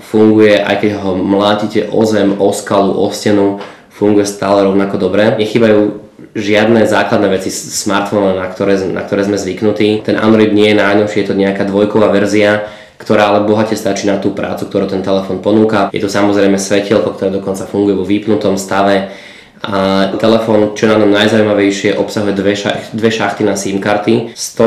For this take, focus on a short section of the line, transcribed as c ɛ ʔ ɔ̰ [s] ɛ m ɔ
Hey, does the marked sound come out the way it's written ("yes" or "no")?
no